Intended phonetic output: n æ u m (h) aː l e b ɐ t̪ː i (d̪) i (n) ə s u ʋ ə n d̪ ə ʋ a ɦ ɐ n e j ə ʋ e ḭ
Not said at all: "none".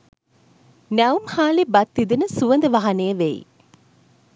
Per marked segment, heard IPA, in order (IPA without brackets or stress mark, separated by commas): h, d̪, n